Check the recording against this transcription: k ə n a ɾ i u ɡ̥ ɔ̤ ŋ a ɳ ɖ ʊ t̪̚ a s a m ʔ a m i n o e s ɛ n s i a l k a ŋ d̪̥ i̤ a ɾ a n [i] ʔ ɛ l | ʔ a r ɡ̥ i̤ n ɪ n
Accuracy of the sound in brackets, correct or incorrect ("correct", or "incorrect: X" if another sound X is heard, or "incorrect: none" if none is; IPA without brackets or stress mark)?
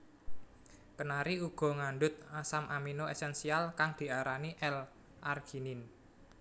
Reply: correct